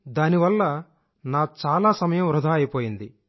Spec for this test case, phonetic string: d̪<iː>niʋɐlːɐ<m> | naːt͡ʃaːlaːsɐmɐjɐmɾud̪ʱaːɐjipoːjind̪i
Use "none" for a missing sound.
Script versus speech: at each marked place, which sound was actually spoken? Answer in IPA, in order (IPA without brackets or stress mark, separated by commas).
aː, none